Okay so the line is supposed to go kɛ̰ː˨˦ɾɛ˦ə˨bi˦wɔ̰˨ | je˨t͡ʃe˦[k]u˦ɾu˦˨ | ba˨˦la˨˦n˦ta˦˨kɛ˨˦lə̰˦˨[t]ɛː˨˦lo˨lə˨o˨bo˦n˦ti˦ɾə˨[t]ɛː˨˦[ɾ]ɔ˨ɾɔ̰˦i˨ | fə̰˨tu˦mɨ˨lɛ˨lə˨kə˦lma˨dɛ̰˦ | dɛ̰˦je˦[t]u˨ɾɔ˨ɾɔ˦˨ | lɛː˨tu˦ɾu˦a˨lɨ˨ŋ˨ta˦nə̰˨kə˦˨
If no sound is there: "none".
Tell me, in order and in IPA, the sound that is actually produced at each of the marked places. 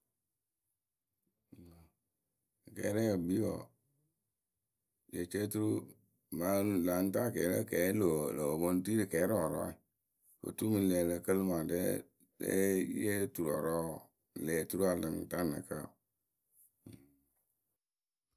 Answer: t, k, k, ɾ, t

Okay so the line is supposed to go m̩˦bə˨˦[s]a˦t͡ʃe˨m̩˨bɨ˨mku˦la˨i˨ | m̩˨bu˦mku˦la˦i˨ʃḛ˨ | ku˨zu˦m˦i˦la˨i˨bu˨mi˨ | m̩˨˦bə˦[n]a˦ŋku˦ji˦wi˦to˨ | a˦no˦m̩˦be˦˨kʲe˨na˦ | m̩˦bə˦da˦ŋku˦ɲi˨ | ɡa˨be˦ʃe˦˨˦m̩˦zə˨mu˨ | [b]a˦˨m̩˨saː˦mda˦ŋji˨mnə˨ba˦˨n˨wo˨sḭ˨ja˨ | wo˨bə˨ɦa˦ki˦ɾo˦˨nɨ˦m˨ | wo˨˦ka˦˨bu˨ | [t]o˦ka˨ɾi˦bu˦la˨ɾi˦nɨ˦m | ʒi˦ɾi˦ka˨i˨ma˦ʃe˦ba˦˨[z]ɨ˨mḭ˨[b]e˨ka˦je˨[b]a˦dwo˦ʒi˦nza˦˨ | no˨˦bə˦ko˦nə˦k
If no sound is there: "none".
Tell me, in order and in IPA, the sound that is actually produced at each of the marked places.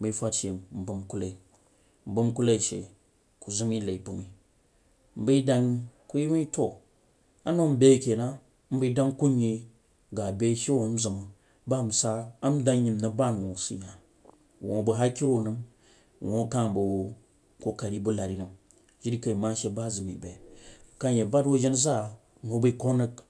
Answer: f, d, b, k, z, b, b

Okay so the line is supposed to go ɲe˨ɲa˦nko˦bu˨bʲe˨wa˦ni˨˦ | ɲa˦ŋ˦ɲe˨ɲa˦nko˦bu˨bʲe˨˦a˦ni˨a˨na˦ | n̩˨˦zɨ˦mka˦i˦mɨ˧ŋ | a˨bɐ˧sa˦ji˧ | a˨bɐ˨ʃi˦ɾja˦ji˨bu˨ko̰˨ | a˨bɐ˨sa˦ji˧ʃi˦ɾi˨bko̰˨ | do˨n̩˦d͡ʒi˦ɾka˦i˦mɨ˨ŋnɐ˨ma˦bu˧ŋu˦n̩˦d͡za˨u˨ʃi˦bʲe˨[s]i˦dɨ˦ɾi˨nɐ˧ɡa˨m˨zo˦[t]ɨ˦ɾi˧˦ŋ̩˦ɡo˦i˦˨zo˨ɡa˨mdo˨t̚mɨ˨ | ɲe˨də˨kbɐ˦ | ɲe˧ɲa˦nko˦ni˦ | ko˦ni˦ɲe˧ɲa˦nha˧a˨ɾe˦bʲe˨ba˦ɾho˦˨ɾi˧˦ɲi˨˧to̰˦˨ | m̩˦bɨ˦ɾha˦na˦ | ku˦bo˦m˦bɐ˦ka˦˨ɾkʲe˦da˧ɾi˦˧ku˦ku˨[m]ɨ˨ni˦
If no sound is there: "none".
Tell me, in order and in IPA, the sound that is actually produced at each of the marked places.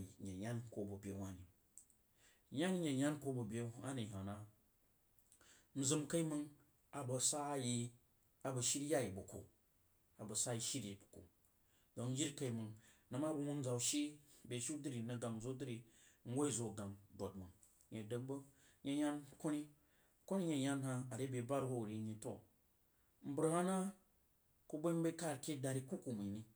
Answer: ʃ, d, m

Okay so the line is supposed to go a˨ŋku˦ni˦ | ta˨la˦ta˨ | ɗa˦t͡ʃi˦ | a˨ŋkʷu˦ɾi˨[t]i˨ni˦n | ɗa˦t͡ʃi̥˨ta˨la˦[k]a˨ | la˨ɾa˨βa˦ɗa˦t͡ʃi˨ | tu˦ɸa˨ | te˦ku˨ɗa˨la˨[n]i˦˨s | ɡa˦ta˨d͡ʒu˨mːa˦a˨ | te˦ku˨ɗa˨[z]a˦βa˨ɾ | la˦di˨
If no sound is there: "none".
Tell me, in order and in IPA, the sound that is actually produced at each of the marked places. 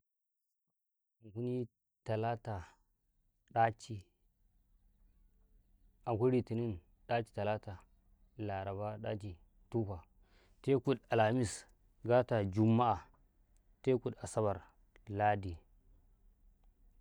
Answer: t, t, m, s

